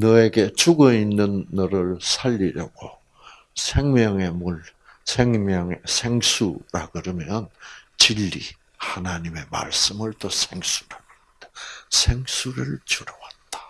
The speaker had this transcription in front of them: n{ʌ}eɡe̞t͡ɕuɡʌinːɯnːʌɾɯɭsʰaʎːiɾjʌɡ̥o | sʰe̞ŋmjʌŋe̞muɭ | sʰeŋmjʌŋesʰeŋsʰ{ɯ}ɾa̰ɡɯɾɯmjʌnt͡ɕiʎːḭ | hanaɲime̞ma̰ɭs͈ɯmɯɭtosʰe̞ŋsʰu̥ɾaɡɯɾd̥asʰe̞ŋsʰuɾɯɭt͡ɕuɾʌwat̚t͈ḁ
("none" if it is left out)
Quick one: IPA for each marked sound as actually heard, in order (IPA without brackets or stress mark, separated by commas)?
ʌ, u